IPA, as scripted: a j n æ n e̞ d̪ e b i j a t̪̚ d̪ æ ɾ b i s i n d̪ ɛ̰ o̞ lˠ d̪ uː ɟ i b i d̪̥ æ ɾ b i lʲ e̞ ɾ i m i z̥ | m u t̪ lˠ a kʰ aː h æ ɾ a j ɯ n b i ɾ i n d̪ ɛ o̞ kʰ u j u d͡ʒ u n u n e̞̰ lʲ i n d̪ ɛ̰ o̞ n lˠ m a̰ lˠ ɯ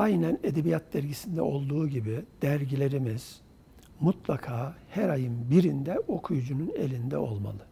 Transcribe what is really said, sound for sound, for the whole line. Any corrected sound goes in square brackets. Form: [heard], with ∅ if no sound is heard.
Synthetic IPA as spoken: a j n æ n e̞ d̪ e b i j a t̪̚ d̪ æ ɾ [ɟ] i s i n d̪ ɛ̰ o̞ lˠ d̪ uː ɟ i b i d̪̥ æ ɾ [ɟ] i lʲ e̞ ɾ i m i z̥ | m u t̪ lˠ a kʰ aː h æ ɾ a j ɯ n b i ɾ i n d̪ ɛ o̞ kʰ u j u d͡ʒ u n u n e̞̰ lʲ i n d̪ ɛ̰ o̞ [∅] lˠ m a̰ lˠ ɯ